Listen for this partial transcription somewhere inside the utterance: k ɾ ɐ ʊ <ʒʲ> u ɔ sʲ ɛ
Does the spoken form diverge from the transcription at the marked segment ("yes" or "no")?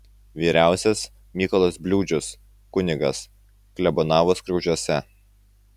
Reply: no